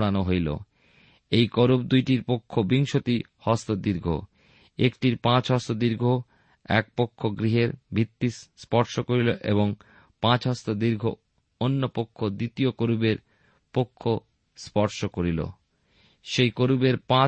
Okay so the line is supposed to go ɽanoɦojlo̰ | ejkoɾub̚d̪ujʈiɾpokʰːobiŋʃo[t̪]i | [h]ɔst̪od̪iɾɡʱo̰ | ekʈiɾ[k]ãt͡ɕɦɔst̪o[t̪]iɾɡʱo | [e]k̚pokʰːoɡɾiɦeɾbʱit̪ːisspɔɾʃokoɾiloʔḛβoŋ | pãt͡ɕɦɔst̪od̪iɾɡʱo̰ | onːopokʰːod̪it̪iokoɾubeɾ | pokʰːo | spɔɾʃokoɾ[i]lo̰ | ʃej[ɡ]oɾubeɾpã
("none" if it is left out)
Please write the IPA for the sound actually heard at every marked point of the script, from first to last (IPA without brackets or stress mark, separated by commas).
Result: t̪, h, p, d̪, ɛ, i, k